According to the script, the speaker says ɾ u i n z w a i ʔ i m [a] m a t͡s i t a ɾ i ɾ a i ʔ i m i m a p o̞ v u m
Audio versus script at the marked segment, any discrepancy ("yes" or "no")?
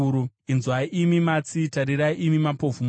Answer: yes